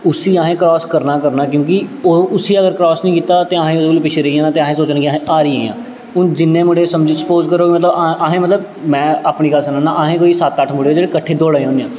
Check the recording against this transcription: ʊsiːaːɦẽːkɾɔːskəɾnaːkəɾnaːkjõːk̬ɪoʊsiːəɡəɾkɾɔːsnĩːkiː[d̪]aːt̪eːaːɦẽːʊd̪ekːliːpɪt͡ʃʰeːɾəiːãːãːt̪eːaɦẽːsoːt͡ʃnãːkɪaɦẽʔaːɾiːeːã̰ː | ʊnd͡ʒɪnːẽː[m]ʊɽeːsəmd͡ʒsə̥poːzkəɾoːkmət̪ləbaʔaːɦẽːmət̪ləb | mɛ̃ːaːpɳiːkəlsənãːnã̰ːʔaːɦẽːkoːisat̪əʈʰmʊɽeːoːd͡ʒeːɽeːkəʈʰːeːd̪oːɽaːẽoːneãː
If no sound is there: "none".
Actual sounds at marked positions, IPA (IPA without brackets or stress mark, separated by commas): t̪, m